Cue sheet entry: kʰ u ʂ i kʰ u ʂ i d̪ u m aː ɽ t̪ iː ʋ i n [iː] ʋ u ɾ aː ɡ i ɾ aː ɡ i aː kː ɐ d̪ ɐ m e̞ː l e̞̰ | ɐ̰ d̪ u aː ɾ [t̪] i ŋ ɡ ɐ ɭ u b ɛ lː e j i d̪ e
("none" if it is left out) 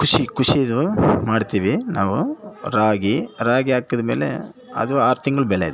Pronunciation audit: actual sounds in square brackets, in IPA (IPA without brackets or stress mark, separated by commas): aː, t̪